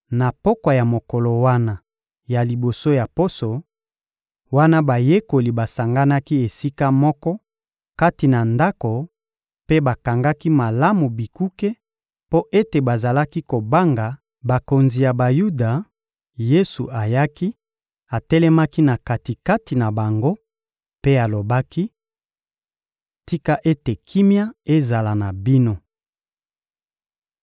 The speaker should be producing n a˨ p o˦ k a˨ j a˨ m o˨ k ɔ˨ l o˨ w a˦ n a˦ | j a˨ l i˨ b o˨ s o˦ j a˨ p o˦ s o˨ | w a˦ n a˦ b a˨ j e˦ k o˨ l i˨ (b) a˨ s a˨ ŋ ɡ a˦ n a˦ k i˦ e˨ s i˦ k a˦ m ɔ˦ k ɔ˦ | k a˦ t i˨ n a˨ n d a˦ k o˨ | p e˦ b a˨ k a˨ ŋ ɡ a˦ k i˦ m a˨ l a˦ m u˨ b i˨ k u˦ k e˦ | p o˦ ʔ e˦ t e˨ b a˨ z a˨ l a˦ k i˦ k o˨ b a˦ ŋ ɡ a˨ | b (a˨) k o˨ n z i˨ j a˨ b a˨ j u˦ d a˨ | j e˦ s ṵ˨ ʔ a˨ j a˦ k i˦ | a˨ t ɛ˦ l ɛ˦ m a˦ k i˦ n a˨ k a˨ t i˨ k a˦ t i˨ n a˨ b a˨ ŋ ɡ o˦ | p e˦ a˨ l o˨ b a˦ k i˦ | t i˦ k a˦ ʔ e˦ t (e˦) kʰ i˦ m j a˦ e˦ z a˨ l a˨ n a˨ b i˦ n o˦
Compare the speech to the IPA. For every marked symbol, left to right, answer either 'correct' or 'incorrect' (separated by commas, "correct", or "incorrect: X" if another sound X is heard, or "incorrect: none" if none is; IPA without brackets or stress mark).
correct, correct, incorrect: e˨